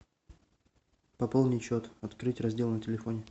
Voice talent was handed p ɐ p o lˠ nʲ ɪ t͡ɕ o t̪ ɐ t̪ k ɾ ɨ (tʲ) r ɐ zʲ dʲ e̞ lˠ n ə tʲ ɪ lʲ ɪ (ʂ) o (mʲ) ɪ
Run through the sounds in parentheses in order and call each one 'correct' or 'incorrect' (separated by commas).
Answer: correct, incorrect, incorrect